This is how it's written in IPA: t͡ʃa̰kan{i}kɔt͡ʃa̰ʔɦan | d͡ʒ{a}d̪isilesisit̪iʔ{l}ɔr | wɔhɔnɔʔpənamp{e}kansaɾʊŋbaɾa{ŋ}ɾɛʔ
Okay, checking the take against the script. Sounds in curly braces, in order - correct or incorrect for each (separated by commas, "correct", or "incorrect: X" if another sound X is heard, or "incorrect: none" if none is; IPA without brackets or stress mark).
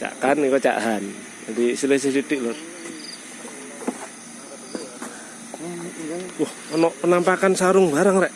correct, correct, correct, incorrect: a, correct